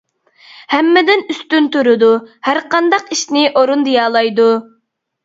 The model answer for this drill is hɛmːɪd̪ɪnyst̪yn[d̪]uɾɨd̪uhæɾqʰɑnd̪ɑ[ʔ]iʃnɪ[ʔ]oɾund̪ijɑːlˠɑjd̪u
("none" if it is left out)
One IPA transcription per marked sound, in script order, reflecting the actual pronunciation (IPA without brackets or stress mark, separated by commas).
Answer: t̪, q, ʔ